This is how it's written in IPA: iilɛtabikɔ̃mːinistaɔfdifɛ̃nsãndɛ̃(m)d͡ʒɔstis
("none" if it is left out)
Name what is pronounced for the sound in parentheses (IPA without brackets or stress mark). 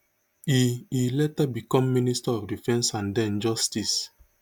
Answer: n